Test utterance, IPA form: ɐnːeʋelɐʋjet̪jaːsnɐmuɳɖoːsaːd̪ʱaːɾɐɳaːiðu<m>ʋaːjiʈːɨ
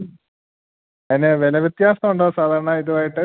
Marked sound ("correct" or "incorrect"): incorrect